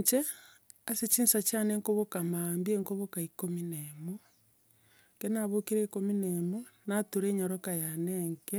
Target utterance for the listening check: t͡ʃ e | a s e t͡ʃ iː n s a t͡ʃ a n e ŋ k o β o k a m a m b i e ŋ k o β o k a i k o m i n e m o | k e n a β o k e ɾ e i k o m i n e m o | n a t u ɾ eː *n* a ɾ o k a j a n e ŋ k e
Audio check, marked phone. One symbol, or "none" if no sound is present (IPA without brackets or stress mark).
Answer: ɲ